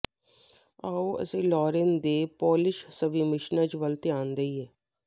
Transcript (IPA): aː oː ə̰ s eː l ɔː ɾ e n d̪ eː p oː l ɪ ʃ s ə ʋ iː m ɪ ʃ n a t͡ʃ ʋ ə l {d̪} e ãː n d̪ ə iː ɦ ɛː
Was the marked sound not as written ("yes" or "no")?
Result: yes